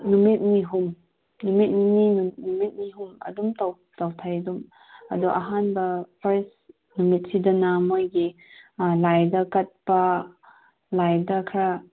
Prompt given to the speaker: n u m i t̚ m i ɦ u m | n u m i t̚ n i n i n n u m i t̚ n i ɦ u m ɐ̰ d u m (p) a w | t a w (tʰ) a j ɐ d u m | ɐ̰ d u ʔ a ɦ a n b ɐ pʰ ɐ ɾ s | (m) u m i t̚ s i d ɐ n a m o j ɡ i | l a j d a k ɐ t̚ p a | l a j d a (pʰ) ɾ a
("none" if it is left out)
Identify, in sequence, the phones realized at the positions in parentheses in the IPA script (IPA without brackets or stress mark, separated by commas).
t, tʰ, n, kʰ